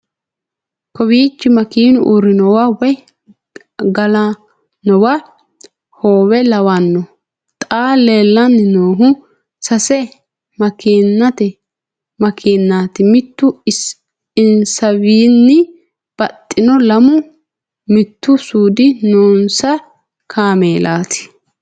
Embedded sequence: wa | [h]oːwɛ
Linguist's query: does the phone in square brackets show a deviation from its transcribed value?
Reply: no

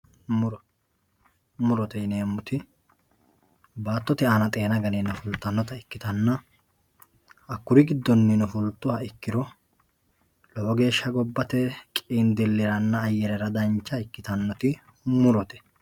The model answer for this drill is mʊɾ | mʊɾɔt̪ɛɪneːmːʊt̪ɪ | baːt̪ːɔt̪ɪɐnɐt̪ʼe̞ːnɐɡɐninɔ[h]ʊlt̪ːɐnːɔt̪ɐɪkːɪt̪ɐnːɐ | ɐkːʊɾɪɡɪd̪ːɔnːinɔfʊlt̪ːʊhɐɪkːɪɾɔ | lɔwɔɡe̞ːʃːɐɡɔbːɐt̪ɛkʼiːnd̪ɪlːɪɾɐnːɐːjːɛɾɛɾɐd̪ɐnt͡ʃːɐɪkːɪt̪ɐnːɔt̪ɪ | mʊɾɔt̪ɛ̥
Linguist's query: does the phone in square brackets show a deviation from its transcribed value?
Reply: yes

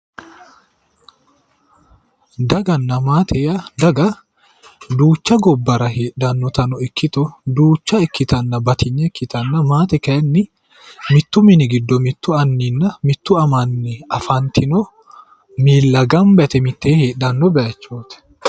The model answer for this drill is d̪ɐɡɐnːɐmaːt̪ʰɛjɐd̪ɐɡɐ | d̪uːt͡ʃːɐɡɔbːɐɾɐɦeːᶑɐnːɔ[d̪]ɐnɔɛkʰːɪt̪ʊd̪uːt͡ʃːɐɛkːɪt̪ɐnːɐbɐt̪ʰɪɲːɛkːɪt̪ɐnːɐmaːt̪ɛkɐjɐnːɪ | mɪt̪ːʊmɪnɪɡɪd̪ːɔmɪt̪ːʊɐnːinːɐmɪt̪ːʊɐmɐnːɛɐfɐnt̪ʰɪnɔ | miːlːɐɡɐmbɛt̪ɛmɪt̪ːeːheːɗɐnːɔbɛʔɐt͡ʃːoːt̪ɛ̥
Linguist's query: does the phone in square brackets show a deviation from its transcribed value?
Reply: yes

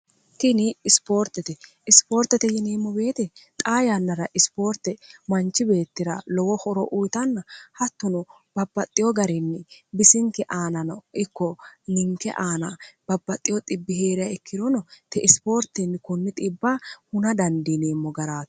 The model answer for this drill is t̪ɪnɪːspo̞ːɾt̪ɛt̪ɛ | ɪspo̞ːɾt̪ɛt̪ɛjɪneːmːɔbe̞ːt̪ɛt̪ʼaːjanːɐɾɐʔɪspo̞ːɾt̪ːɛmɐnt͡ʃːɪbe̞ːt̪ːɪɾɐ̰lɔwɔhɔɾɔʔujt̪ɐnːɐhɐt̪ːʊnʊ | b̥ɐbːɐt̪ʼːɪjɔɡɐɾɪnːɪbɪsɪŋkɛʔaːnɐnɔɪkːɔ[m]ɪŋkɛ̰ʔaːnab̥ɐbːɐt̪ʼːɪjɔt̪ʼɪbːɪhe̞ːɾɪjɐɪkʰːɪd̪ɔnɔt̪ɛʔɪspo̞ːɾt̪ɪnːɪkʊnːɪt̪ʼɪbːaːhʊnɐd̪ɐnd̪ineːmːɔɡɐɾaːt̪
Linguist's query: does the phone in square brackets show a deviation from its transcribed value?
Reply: yes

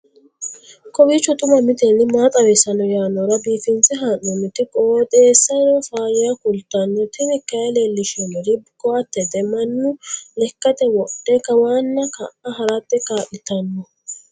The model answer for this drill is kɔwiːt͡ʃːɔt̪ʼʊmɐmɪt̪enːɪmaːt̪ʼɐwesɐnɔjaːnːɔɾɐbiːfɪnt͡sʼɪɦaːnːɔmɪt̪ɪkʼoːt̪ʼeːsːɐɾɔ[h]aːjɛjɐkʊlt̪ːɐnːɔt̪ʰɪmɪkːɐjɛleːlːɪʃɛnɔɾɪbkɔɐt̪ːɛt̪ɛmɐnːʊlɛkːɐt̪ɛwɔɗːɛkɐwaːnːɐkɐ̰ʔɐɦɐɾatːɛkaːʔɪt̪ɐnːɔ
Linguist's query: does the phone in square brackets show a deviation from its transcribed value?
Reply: yes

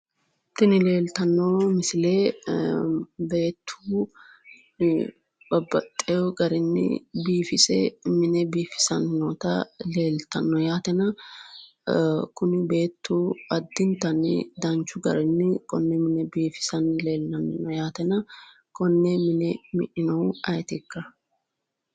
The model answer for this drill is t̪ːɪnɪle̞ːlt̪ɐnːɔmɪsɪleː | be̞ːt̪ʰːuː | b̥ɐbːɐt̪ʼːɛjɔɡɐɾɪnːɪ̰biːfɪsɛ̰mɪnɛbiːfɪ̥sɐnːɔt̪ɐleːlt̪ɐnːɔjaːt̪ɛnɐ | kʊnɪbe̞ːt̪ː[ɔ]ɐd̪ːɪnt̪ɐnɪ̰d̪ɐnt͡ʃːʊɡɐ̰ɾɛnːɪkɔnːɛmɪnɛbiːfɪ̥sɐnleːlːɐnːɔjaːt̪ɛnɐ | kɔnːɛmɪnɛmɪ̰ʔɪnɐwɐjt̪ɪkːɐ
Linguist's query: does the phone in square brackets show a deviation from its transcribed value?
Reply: yes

